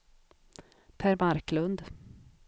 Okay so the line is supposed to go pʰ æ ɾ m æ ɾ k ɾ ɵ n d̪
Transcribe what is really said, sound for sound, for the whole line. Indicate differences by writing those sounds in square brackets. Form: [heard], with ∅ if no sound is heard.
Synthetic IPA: pʰ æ ɾ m [a] ɾ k [l] ɵ n d̪